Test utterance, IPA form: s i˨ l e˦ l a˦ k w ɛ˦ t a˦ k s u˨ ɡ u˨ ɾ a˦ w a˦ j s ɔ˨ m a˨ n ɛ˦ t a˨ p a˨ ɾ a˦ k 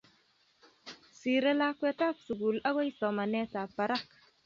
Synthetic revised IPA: s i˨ ɾ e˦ l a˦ k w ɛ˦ t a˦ k s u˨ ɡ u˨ l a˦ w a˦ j s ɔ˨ m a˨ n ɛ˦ t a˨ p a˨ ɾ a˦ k